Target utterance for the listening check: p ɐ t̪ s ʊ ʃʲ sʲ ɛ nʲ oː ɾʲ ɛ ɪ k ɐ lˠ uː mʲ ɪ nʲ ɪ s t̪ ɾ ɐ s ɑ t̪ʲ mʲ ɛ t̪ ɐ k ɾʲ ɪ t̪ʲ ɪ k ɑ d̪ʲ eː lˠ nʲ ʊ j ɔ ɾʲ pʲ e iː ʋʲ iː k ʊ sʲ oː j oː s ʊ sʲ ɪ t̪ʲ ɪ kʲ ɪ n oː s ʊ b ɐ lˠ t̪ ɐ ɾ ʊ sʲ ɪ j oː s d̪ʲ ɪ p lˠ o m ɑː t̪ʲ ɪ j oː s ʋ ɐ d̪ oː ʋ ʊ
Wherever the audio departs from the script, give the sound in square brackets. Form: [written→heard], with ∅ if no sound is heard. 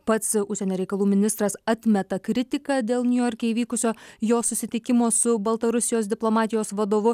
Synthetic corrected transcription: p ɐ t̪ s ʊ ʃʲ sʲ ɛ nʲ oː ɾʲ ɛ ɪ k ɐ lˠ uː mʲ ɪ nʲ ɪ s t̪ ɾ ɐ s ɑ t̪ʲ mʲ ɛ t̪ ɐ k ɾʲ ɪ t̪ʲ ɪ k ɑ d̪ʲ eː lˠ nʲ ʊ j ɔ ɾʲ [pʲ→kʲ] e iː ʋʲ iː k ʊ sʲ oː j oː s ʊ sʲ ɪ t̪ʲ ɪ kʲ ɪ [n→m] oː s ʊ b ɐ lˠ t̪ ɐ ɾ ʊ sʲ ɪ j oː s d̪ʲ ɪ p lˠ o m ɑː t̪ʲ ɪ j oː s ʋ ɐ d̪ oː ʋ ʊ

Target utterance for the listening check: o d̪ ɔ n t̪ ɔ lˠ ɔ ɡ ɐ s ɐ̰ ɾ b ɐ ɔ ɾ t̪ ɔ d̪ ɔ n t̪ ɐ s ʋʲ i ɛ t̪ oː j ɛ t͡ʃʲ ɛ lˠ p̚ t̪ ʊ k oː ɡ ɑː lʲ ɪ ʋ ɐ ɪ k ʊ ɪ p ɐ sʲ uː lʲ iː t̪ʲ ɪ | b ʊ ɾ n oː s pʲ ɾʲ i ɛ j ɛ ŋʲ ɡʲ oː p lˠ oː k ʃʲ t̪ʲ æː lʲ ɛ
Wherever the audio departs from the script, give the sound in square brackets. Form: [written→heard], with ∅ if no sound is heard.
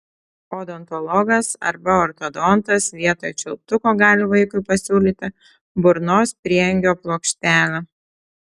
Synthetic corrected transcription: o d̪ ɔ n t̪ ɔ lˠ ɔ ɡ ɐ s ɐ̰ ɾ b ɐ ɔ ɾ t̪ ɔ d̪ ɔ n t̪ ɐ s ʋʲ i ɛ t̪ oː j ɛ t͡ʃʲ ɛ lˠ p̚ t̪ ʊ k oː ɡ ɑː lʲ ɪ ʋ ɐ ɪ k ʊ ɪ p ɐ sʲ uː lʲ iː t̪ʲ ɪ | b ʊ ɾ n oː s pʲ ɾʲ i ɛ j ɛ ŋʲ ɡʲ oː p lˠ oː k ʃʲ t̪ʲ æː lʲ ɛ

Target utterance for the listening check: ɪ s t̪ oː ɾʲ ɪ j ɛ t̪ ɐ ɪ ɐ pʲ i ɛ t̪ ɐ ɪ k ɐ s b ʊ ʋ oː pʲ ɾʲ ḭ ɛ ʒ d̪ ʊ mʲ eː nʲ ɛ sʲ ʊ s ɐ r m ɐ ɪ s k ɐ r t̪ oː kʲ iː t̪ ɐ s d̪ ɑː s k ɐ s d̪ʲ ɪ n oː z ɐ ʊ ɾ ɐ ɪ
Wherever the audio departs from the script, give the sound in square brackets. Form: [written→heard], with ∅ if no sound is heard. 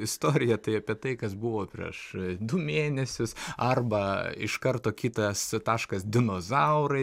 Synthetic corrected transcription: ɪ s t̪ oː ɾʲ ɪ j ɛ t̪ ɐ ɪ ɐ pʲ i ɛ t̪ ɐ ɪ k ɐ s b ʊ ʋ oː pʲ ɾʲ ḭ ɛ [ʒ→ʃ] d̪ ʊ mʲ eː nʲ ɛ sʲ ʊ s ɐ r [m→b] ɐ ɪ [s→ʃ] k ɐ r t̪ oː kʲ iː t̪ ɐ s [d̪→t̪] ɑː [s→ʃ] k ɐ s d̪ʲ ɪ n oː z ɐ ʊ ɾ ɐ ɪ

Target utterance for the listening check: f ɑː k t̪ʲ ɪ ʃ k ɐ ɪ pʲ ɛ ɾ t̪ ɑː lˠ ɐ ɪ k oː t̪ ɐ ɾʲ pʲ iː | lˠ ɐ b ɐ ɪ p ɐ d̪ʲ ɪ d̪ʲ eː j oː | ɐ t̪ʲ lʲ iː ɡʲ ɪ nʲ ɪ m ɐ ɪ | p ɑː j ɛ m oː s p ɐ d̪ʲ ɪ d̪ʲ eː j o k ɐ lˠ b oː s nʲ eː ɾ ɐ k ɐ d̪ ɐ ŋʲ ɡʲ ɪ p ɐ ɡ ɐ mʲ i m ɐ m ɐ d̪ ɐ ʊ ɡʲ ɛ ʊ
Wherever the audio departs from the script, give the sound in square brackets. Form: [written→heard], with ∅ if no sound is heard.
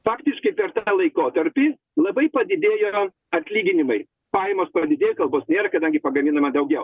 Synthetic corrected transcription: f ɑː k t̪ʲ ɪ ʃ k ɐ ɪ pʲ ɛ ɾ t̪ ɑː lˠ ɐ ɪ k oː t̪ ɐ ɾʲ pʲ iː | lˠ ɐ b ɐ ɪ p ɐ d̪ʲ ɪ d̪ʲ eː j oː | ɐ t̪ʲ lʲ iː ɡʲ ɪ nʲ ɪ m ɐ ɪ | p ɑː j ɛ m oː s p ɐ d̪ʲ ɪ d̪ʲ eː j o k ɐ lˠ b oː s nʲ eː ɾ ɐ k ɐ d̪ ɐ ŋʲ ɡʲ ɪ p ɐ ɡ ɐ mʲ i [m→n] ɐ m ɐ d̪ ɐ ʊ ɡʲ ɛ ʊ

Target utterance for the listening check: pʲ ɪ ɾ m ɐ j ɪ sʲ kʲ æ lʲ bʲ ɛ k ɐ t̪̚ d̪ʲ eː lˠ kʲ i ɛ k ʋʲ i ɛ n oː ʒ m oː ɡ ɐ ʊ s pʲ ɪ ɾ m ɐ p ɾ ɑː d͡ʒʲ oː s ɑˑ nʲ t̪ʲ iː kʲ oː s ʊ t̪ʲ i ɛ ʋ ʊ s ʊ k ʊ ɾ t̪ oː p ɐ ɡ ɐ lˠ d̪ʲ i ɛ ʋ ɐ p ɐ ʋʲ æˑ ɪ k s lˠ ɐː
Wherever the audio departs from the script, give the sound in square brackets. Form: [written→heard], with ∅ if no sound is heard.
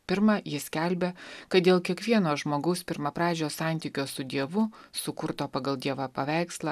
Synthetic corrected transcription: pʲ ɪ ɾ m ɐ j ɪ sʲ kʲ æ lʲ bʲ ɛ k ɐ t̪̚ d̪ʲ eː lˠ kʲ i ɛ k ʋʲ i ɛ n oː ʒ m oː ɡ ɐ ʊ s pʲ ɪ ɾ m ɐ p ɾ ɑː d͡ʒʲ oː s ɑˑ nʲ t̪ʲ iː kʲ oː s ʊ [t̪ʲ→d̪ʲ] i ɛ ʋ ʊ s ʊ k ʊ ɾ t̪ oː p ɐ ɡ ɐ lˠ d̪ʲ i ɛ ʋ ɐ p ɐ ʋʲ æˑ ɪ k s lˠ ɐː

